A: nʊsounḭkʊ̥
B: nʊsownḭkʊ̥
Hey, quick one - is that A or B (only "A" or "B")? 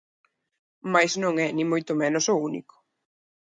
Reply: A